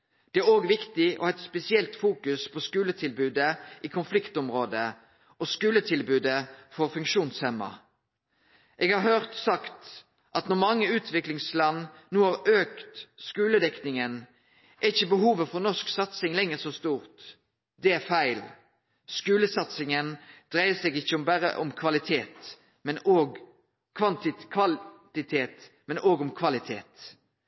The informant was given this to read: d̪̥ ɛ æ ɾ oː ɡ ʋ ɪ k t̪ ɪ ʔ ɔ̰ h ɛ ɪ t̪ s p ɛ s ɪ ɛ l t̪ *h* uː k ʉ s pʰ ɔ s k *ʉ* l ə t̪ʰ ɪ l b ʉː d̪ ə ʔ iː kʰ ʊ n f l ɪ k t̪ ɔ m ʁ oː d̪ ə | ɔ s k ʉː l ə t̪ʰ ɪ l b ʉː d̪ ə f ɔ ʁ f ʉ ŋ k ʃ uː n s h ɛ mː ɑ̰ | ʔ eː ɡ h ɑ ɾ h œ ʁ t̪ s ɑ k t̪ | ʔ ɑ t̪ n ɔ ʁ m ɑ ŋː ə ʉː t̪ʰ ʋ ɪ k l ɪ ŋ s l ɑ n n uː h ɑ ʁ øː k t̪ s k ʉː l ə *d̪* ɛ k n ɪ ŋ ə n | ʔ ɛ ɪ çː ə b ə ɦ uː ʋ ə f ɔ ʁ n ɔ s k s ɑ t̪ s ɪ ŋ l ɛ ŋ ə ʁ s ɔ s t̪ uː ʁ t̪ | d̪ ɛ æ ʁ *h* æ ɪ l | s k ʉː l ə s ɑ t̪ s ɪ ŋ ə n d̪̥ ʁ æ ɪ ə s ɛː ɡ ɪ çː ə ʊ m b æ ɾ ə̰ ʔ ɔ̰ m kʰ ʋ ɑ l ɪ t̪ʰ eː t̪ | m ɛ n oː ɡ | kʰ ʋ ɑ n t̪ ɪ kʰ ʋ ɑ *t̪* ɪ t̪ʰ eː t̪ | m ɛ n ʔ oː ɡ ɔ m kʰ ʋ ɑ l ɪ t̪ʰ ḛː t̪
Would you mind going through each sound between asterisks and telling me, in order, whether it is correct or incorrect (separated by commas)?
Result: incorrect, incorrect, correct, incorrect, correct